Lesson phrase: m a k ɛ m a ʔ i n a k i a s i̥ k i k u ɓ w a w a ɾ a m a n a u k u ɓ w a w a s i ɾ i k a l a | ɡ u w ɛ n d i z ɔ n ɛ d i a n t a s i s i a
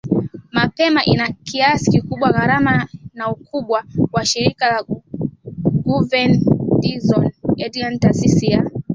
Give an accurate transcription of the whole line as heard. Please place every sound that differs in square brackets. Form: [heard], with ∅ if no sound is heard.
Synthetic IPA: m a [p] ɛ m a ʔ i n a k i a s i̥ k i k u ɓ w a [ɣ] a ɾ a m a n a u k u ɓ w a w a [ʃ] i ɾ i k a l a | ɡ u [v] ɛ n d i z ɔ n ɛ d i a n t a s i s i a